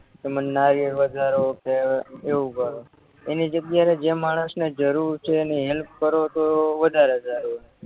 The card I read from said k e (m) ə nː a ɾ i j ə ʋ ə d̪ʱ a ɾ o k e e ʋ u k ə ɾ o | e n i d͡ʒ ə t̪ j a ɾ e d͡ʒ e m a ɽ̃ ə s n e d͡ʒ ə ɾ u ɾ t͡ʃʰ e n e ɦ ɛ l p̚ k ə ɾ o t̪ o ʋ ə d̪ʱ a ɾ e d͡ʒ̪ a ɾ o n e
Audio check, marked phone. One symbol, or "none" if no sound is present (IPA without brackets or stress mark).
m